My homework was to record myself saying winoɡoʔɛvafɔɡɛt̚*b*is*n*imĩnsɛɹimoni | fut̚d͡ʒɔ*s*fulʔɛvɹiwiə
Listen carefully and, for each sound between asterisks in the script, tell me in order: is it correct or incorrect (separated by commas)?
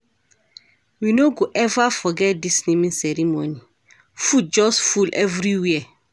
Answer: incorrect, correct, correct